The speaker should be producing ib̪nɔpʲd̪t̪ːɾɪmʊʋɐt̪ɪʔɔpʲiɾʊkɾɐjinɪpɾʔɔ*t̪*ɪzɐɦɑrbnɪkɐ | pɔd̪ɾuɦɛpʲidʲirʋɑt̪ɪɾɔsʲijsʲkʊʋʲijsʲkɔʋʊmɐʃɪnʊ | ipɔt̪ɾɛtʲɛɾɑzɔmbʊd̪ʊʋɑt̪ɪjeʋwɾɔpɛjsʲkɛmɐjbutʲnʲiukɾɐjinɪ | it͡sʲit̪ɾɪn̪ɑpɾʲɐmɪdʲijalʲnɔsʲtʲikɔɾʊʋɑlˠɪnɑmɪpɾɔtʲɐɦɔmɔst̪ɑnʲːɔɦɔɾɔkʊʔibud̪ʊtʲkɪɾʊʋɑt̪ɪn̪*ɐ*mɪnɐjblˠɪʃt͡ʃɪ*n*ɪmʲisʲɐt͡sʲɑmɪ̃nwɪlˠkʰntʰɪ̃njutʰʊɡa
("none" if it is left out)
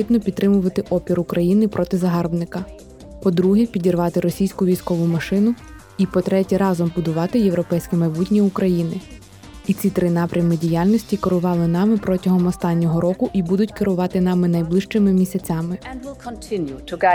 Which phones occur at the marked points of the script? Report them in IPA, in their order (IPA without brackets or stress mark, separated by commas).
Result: t̪, ɑ, m